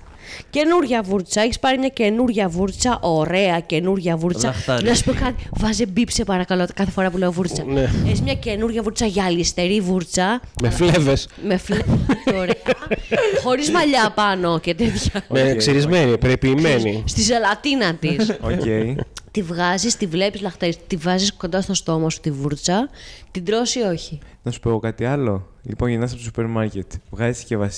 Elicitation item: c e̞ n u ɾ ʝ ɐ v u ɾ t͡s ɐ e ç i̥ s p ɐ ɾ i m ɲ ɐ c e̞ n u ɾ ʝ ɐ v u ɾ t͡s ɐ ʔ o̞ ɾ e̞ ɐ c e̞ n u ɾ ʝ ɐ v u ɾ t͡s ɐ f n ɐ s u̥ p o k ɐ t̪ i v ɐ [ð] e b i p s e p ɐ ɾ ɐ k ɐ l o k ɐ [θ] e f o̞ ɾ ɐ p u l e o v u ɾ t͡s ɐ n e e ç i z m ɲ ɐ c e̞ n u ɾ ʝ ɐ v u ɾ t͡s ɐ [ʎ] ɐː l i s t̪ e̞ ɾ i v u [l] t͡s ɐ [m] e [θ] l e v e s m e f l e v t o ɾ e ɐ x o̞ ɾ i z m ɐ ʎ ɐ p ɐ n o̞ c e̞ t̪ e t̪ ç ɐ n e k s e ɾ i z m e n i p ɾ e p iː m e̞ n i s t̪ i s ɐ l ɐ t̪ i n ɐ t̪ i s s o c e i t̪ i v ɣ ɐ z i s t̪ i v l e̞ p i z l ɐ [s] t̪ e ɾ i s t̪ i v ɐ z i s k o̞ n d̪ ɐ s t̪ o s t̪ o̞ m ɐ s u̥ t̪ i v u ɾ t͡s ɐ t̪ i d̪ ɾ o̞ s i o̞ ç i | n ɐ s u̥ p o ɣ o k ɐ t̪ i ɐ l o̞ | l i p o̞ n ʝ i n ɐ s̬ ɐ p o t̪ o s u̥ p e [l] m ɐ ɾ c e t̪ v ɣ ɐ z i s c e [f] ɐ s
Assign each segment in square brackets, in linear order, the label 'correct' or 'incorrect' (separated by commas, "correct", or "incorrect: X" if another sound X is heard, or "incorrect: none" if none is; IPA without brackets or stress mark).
incorrect: z, correct, incorrect: ʝ, incorrect: ɾ, correct, incorrect: f, incorrect: x, incorrect: ɾ, incorrect: v